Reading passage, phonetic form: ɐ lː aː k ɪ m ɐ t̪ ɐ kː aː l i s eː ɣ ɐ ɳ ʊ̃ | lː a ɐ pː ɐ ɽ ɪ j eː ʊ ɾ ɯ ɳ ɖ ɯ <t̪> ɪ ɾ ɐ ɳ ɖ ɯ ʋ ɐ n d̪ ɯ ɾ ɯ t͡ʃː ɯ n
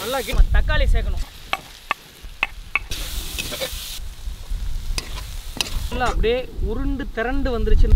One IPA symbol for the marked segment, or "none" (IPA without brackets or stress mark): t̪